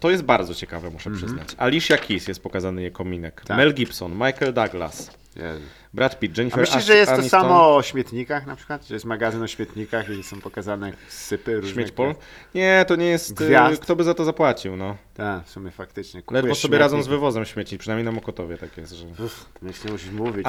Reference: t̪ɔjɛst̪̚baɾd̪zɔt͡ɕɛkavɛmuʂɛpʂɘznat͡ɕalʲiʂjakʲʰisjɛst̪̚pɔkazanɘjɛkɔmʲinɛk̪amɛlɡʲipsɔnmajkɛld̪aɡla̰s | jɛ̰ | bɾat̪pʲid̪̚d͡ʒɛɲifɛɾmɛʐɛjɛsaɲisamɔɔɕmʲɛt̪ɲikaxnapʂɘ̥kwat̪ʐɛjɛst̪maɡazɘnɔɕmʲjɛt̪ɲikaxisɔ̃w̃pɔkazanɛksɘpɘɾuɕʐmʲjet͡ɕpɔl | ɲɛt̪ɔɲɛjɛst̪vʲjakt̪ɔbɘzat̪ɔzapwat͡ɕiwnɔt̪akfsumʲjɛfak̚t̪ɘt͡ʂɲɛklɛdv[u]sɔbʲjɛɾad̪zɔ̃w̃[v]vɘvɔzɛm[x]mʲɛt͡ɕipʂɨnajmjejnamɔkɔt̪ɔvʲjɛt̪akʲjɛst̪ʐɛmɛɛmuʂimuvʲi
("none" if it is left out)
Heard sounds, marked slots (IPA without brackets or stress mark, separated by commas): ɔ, z, ɕ